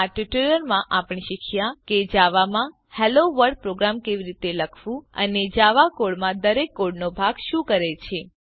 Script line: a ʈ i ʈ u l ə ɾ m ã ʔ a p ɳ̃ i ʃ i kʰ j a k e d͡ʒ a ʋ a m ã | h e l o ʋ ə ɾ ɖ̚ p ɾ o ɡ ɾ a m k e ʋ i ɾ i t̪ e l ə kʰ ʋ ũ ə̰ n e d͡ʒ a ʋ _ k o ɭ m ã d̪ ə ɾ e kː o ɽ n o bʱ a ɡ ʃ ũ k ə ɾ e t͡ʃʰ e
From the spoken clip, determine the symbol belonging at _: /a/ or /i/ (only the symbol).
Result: a